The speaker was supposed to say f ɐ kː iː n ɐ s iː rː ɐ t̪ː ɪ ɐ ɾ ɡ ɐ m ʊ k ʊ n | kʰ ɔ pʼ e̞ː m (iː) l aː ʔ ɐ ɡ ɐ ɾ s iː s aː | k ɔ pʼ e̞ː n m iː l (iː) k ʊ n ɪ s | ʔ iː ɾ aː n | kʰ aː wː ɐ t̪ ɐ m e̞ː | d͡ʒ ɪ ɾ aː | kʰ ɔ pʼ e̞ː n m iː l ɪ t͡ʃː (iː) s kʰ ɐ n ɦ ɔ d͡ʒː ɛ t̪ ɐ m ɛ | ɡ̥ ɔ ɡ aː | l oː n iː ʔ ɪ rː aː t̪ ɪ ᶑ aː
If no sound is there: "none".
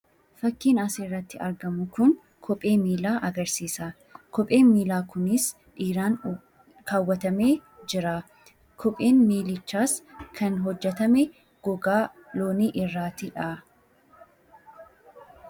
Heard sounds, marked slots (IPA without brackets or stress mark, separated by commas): iː, aː, aː